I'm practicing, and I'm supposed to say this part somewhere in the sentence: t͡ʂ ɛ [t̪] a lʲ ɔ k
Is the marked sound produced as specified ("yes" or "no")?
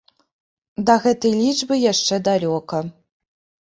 no